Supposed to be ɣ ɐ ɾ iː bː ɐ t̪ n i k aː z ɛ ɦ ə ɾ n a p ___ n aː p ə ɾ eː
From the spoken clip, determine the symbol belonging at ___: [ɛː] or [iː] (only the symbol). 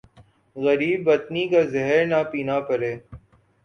iː